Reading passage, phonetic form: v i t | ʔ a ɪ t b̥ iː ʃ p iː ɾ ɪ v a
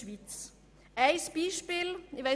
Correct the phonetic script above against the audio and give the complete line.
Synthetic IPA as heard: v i t͡s | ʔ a ɪ s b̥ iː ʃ p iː l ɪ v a